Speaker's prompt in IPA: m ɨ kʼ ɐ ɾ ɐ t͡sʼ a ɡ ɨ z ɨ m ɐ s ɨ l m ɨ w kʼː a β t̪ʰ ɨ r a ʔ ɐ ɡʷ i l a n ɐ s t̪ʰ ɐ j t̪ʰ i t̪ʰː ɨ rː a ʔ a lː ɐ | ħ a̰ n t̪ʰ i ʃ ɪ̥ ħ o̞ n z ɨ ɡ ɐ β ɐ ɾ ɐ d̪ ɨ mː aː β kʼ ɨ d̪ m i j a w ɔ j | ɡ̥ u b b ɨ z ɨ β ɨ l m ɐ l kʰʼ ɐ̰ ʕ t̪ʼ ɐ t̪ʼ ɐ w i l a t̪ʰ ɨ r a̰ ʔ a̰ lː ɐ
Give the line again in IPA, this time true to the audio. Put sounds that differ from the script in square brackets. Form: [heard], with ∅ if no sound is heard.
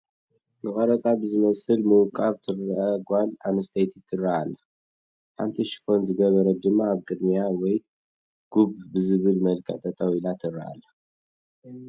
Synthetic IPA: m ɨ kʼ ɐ ɾ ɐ t͡sʼ a [b] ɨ z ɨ m ɐ s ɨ l m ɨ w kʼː a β t̪ʰ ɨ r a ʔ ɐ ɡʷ [a] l a n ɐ s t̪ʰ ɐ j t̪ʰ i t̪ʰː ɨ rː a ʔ a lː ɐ | ħ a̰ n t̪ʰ i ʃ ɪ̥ [f] o̞ n z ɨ ɡ ɐ β ɐ ɾ ɐ d̪ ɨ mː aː β kʼ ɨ d̪ m i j a w ɔ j | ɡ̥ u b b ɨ z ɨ β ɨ l m ɐ l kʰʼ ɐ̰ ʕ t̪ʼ ɐ t̪ʼ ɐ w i l a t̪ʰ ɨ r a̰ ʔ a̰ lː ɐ